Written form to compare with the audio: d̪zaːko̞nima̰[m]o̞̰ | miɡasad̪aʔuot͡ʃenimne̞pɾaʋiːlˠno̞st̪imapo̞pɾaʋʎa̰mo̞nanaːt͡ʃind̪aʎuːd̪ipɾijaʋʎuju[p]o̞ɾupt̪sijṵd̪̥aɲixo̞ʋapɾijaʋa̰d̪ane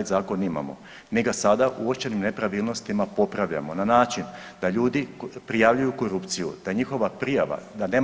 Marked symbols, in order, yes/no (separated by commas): yes, no